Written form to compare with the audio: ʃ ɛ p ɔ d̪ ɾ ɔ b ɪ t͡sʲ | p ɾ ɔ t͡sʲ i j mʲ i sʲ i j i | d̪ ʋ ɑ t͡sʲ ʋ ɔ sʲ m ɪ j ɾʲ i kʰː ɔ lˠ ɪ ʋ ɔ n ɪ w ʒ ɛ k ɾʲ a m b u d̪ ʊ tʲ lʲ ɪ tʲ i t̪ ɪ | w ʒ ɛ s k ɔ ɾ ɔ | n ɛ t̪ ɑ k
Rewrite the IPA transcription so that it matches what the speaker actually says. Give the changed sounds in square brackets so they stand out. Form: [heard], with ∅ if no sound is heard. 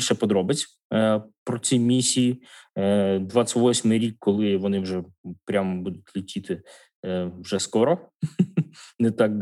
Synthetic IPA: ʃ ɛ p ɔ d̪ ɾ ɔ b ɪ t͡sʲ | p ɾ ɔ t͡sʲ i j mʲ i sʲ i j i | d̪ ʋ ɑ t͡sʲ ʋ ɔ sʲ m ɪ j ɾʲ i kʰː ɔ lˠ ɪ ʋ ɔ n ɪ w ʒ ɛ [p] ɾʲ a m b u d̪ ʊ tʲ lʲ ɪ tʲ i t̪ ɪ | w ʒ ɛ s k ɔ ɾ ɔ | n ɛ t̪ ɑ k